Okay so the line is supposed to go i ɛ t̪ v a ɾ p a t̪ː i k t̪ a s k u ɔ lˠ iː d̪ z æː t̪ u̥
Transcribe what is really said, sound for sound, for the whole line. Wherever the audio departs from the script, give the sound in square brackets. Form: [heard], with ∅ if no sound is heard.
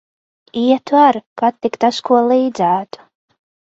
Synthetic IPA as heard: i ɛ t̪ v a ɾ [k] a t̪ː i k t̪ a s k u ɔ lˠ iː d̪ z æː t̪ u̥